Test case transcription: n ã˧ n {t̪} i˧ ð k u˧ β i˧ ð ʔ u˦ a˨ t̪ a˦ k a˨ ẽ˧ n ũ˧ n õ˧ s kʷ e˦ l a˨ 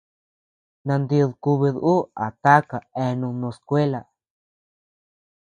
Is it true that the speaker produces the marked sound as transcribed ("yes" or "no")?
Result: no